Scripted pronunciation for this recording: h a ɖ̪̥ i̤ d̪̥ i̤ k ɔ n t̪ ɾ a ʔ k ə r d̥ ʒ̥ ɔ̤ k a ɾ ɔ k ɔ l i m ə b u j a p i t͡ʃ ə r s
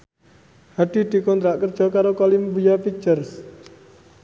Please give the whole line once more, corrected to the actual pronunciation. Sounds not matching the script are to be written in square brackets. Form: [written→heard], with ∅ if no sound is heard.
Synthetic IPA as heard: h a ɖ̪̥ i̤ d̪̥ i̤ k ɔ n t̪ ɾ a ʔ k ə r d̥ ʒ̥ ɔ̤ k a ɾ [ɔ→o] k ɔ l i m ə b u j a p i t͡ʃ ə r s